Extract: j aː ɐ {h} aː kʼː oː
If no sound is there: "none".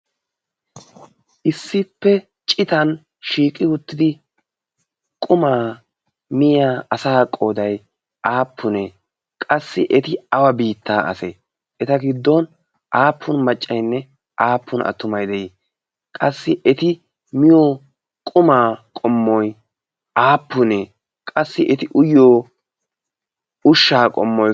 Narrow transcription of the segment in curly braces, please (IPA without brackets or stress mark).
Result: s